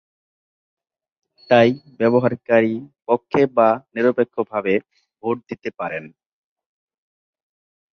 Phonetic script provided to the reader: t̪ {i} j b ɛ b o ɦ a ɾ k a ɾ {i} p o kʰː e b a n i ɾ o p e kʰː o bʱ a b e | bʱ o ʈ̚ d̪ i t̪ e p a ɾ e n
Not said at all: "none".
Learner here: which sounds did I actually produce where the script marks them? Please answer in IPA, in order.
a, i

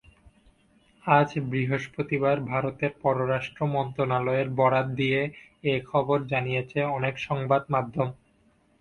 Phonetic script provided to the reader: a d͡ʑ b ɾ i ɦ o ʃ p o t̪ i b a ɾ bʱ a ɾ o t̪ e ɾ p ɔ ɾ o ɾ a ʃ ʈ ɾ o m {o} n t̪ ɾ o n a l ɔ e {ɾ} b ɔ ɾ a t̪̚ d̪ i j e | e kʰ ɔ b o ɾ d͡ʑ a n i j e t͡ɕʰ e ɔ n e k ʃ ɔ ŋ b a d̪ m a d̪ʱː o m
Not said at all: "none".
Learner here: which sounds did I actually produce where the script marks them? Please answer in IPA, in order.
ɔ, ɾ

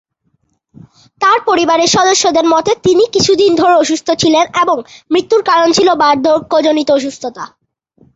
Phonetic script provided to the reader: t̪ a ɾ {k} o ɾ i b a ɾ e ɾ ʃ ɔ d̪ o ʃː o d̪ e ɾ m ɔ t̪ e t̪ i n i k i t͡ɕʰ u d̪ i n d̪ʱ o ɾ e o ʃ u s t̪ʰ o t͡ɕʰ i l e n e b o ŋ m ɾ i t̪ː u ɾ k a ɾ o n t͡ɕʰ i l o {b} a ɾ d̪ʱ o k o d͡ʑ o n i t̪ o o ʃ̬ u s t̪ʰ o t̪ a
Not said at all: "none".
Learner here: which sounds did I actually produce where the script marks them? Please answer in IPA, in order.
p, b

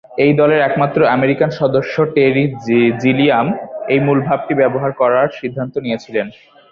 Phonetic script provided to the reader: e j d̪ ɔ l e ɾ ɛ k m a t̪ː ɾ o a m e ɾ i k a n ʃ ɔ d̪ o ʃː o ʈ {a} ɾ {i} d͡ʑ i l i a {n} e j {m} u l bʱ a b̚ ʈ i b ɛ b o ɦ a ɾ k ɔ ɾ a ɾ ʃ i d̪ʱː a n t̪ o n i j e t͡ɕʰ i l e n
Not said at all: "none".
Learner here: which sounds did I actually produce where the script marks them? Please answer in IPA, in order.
e, i, m, m

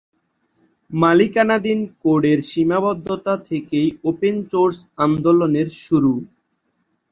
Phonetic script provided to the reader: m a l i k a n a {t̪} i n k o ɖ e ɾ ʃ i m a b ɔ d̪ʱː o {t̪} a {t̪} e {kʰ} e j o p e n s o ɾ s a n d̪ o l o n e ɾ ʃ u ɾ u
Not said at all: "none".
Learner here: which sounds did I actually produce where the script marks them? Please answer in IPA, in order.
d̪, t̪, t̪ʰ, k

